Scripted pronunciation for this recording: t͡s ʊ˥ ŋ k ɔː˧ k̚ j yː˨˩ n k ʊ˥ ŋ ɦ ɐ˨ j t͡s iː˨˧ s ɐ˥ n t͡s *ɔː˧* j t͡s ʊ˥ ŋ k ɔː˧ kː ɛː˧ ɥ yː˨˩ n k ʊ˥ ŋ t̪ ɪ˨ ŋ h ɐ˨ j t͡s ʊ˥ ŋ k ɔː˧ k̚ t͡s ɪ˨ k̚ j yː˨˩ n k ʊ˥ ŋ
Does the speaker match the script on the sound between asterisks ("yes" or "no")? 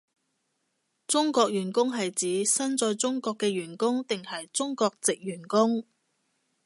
yes